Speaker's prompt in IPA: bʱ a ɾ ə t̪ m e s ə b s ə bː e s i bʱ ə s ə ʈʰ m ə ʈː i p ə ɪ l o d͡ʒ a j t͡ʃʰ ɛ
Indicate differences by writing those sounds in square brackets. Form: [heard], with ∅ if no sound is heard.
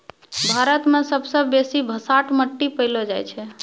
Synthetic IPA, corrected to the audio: bʱ a ɾ ə t̪ m e s ə b s ə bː e s i bʱ ə s [a] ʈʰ m ə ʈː i p ə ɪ l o d͡ʒ a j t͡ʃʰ ɛ